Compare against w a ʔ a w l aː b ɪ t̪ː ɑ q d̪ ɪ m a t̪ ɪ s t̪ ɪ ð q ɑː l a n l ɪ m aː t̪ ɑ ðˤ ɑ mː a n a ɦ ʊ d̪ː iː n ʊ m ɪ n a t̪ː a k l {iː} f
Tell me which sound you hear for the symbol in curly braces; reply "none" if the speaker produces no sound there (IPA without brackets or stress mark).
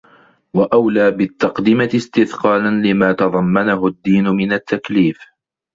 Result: iː